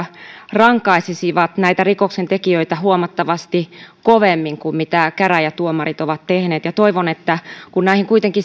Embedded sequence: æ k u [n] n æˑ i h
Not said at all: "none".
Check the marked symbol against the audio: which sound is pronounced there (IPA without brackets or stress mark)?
n